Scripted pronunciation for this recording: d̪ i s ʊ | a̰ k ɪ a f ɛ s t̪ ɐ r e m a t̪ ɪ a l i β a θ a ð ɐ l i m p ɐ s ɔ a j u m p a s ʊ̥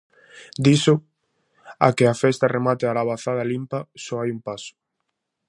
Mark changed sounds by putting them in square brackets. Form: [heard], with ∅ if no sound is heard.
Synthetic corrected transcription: d̪ i s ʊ | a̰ k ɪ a f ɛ s t̪ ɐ r e m a t̪ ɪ a l [a] β a θ a ð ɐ l i m p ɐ s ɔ a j u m p a s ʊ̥